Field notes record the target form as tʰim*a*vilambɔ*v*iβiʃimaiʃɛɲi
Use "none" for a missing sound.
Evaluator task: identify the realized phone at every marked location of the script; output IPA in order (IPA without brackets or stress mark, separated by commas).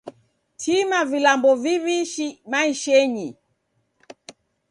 a, v